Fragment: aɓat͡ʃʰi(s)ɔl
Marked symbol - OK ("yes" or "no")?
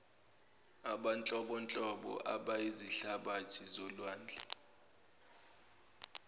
no